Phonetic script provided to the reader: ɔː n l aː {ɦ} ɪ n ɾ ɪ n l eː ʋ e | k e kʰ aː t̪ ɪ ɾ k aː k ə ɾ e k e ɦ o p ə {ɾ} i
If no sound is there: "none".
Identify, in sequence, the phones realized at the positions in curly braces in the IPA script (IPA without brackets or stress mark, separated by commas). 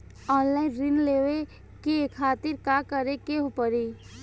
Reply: none, ɾ